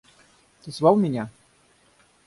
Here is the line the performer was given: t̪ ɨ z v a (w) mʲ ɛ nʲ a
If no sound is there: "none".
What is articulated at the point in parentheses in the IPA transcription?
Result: w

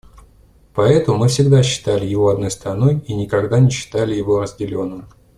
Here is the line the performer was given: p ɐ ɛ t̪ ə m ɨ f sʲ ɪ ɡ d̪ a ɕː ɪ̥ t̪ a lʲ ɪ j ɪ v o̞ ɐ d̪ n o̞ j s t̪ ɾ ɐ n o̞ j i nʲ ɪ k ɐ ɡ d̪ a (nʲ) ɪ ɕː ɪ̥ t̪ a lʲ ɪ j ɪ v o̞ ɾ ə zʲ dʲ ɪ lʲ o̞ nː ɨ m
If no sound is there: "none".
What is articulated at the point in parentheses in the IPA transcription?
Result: nʲ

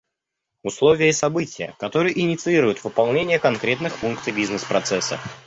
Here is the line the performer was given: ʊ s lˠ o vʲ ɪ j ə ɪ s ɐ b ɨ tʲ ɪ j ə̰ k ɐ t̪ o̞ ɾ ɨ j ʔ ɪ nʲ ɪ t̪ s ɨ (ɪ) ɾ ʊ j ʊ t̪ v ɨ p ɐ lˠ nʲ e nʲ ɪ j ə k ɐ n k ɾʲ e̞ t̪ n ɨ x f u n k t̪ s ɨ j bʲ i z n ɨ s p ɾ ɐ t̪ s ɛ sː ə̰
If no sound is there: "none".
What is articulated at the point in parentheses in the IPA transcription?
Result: i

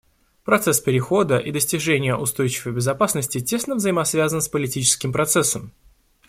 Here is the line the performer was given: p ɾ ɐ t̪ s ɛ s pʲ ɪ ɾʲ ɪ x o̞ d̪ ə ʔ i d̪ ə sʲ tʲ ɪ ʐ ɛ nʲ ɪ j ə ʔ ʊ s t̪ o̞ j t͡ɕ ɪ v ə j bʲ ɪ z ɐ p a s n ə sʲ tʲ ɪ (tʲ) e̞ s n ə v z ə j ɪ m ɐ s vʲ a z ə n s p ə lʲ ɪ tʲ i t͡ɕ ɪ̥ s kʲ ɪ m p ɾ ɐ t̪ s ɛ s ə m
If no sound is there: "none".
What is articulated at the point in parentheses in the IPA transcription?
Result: tʲ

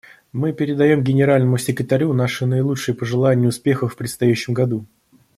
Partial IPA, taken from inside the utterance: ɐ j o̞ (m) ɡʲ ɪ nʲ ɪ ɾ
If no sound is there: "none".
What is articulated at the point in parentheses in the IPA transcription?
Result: m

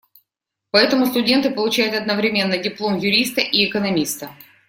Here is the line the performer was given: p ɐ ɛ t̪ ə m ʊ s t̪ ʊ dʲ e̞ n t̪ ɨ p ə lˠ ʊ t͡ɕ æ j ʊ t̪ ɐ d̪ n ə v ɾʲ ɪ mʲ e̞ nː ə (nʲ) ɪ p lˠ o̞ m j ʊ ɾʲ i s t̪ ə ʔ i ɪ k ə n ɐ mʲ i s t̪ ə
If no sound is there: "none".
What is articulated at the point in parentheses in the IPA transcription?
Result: dʲ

